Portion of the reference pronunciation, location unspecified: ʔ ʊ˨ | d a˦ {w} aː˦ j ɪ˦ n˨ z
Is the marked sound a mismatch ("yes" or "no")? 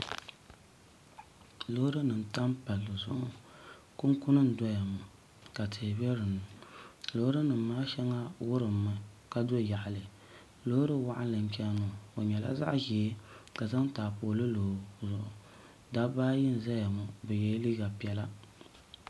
yes